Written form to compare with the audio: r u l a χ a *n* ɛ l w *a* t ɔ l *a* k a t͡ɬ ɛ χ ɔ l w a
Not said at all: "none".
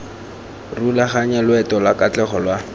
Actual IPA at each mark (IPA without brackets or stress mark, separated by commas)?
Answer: ɲ, ɛ, a